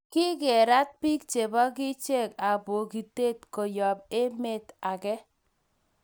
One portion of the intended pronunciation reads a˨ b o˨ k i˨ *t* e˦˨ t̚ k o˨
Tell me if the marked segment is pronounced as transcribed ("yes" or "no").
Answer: yes